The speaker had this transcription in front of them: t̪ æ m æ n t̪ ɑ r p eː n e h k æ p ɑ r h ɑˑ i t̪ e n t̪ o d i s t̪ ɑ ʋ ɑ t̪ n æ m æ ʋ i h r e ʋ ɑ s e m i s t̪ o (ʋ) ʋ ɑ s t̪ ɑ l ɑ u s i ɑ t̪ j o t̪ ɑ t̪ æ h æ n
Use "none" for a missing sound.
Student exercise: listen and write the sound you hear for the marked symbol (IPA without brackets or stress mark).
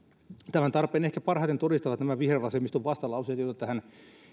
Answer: ʋ